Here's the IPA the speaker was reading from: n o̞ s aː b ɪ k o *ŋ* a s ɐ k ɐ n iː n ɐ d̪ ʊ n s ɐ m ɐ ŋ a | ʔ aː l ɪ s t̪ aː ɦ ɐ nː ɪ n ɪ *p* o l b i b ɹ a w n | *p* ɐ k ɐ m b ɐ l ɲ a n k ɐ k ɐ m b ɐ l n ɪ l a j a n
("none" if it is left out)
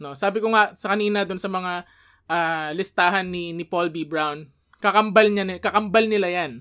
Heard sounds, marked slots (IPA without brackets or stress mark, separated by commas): ŋ, p, k